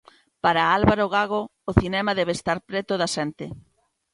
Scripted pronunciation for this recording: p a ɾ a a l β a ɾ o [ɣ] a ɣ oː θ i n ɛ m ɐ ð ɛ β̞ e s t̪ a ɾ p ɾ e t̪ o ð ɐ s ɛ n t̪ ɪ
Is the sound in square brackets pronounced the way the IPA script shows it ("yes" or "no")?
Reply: yes